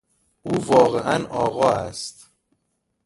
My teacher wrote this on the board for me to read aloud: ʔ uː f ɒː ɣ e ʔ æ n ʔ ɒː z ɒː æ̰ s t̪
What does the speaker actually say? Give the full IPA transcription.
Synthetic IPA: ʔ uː v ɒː ɣ e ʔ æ n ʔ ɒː ɣ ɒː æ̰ s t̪